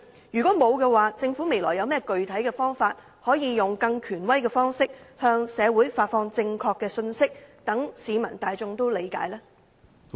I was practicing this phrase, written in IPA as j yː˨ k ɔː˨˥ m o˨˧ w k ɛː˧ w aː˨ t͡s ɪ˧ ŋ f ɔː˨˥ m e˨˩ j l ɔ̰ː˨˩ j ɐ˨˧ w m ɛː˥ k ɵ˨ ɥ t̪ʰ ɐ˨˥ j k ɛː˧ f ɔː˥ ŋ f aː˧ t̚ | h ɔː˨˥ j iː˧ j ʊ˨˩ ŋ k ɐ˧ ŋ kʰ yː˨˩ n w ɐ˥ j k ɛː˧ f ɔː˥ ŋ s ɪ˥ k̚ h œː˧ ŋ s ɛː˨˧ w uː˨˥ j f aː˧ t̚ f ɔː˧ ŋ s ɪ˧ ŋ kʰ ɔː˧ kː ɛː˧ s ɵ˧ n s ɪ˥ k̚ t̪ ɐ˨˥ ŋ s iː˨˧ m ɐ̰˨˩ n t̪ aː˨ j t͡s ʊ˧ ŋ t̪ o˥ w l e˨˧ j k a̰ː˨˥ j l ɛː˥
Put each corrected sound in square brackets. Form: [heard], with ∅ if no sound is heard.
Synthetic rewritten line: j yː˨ k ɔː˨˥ m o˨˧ w k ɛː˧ w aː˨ t͡s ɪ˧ ŋ f [uː˨˥] m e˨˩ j l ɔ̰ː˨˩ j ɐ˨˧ w m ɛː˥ k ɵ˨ ɥ t̪ʰ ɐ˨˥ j k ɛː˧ f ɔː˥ ŋ f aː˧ t̚ | h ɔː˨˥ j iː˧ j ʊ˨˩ ŋ k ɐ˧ ŋ kʰ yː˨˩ n w ɐ˥ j k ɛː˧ f ɔː˥ ŋ s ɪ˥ k̚ h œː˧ ŋ s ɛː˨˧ w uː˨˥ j f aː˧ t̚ f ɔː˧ ŋ [t͡s] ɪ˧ ŋ kʰ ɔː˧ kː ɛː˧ s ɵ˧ n s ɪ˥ k̚ t̪ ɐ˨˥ ŋ s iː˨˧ m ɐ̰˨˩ n t̪ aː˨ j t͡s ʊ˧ ŋ t̪ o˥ w l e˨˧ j k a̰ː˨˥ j l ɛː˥

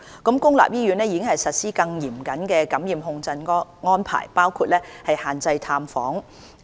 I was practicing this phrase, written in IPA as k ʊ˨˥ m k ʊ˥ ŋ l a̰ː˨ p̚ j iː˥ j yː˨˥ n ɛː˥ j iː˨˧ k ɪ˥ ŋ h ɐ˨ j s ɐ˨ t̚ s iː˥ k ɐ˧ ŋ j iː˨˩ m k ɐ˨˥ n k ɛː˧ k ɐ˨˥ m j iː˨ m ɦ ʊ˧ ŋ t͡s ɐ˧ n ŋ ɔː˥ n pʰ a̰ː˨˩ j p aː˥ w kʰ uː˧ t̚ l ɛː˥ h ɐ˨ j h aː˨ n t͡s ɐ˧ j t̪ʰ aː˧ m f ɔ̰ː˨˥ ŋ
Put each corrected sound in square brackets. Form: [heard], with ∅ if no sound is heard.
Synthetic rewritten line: k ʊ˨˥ m k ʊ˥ ŋ l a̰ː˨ p̚ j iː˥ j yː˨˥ n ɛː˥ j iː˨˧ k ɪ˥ ŋ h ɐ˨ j s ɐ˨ t̚ s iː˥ k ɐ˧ ŋ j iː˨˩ m k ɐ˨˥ n k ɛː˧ k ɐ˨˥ m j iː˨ m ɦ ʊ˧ ŋ t͡s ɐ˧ n ŋ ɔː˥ n pʰ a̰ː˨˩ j p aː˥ w kʰ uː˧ t̚ l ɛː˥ h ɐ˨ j h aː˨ n t͡s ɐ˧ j t̪ʰ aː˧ m f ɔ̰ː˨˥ ŋ

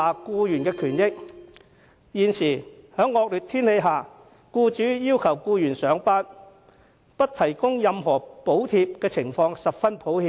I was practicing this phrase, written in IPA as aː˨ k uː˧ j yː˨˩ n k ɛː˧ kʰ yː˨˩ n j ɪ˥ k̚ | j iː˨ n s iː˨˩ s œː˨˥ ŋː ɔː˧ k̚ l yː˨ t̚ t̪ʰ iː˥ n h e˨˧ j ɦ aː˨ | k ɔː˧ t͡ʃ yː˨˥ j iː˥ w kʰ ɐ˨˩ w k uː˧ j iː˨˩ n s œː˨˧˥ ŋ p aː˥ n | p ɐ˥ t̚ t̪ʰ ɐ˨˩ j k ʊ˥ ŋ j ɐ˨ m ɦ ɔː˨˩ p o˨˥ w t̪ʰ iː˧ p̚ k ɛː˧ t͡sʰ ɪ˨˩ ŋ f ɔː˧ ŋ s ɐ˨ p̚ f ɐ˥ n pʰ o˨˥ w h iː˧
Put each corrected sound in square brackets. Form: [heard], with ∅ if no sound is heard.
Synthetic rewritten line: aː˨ k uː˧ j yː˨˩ n k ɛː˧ kʰ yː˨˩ n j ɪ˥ k̚ | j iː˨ n s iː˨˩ [h] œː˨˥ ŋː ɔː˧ k̚ l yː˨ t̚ t̪ʰ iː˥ n h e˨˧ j ɦ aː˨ | k [uː˧] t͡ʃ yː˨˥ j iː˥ w kʰ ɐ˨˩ w k uː˧ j [yː˨˩] n s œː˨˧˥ ŋ p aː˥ n | p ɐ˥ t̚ t̪ʰ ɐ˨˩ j k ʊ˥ ŋ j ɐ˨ m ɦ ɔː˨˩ p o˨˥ w t̪ʰ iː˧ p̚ k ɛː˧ t͡sʰ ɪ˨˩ ŋ f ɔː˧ ŋ s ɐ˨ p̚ f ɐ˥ n pʰ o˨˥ w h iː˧

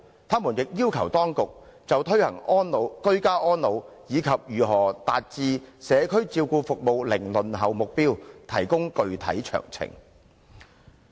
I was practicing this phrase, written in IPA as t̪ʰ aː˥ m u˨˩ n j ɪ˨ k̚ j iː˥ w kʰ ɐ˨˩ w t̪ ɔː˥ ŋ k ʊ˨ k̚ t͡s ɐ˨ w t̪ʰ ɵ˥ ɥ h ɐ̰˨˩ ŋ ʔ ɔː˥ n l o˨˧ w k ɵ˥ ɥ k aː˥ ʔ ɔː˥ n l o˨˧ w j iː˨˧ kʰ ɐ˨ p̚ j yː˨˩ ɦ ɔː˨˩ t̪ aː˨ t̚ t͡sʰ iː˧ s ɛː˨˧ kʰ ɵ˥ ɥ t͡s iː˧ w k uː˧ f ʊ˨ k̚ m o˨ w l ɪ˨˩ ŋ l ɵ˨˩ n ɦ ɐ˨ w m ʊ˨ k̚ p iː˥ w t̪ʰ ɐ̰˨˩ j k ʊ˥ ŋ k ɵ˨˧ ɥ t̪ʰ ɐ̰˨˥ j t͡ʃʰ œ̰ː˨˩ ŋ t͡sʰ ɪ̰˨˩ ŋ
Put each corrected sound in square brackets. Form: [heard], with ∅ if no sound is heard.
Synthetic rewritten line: t̪ʰ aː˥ m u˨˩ n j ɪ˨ k̚ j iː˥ w kʰ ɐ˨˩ w t̪ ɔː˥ ŋ k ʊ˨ k̚ t͡s ɐ˨ w t̪ʰ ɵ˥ ɥ h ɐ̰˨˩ ŋ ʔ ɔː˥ n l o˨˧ w k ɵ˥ ɥ k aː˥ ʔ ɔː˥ n l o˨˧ w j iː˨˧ kʰ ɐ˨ p̚ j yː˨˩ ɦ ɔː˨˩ t̪ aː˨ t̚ [t͡s] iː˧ s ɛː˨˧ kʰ ɵ˥ ɥ t͡s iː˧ w k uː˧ f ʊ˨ k̚ m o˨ w l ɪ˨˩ ŋ l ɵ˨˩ n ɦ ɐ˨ w m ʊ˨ k̚ p iː˥ w t̪ʰ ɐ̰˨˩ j k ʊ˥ ŋ k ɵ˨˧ ɥ t̪ʰ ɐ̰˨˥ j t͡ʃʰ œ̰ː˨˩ ŋ t͡sʰ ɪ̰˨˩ ŋ

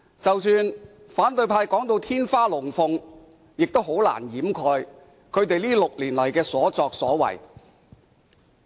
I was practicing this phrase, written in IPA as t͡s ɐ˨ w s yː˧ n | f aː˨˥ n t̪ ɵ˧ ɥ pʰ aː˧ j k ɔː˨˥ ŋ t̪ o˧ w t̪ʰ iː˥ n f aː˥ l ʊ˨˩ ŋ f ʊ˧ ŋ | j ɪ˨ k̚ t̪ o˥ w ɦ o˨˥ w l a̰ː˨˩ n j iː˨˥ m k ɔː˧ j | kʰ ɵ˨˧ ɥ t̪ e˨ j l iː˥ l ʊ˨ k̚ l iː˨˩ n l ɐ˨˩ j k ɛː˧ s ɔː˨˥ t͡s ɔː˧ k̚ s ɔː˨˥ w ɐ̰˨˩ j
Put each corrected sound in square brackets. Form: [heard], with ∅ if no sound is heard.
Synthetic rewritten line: t͡s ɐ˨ w s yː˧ n | f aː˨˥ n t̪ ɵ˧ ɥ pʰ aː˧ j k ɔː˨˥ ŋ t̪ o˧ w t̪ʰ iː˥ n f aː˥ l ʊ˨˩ ŋ f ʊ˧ ŋ | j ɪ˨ k̚ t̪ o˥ w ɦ o˨˥ w l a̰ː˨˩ n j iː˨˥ m [kʰ] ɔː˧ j | kʰ ɵ˨˧ ɥ t̪ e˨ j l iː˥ l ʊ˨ k̚ l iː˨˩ n l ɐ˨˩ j k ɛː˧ s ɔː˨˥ t͡s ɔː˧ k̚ s ɔː˨˥ w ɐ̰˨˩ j

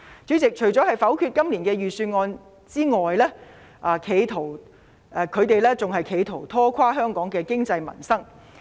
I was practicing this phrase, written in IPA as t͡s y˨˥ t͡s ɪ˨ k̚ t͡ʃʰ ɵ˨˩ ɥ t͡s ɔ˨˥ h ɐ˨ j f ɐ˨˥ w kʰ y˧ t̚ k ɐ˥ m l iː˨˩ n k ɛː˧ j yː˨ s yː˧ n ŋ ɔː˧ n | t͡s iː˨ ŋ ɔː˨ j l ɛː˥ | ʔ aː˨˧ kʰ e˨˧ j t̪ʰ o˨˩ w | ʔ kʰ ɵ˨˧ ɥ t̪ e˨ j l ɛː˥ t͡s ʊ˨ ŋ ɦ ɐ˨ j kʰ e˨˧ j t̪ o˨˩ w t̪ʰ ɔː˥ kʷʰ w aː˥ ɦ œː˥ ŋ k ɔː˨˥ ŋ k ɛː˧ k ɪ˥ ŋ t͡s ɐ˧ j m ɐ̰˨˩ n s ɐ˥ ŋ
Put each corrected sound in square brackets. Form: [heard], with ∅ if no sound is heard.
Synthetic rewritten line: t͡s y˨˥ t͡s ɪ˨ k̚ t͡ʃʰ ɵ˨˩ ɥ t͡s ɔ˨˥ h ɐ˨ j f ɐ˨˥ w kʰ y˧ t̚ k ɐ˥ m l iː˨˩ n k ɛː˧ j yː˨ s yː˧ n ŋ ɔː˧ n | t͡s [iː˥] ŋ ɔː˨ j l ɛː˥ | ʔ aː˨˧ kʰ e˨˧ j t̪ʰ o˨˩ w | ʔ kʰ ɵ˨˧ ɥ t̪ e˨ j l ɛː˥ t͡s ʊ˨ ŋ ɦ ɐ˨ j kʰ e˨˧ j [t̪ʰ] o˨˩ w t̪ʰ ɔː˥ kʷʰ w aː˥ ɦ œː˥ ŋ k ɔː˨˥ ŋ k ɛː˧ k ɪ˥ ŋ t͡s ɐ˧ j m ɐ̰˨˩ n s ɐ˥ ŋ

